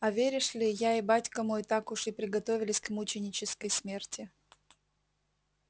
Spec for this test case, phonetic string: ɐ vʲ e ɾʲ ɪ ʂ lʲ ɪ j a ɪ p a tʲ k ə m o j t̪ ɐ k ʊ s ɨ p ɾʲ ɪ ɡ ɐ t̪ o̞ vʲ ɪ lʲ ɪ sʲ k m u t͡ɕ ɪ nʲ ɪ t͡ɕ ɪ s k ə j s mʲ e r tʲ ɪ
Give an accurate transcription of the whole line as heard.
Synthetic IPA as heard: ɐ vʲ e ɾʲ ɪ ʂ lʲ ɪ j a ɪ b a tʲ k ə m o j t̪ a k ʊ ʂ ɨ p ɾʲ ɪ ɡ ɐ t̪ o̞ vʲ ɪ lʲ ɪ sʲ k m u t͡ɕ ɪ nʲ ɪ t͡ɕ ɪ s k ə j s mʲ e r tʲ ɪ